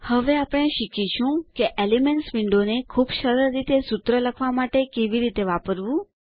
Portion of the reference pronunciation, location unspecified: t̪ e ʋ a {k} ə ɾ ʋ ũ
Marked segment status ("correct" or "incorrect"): incorrect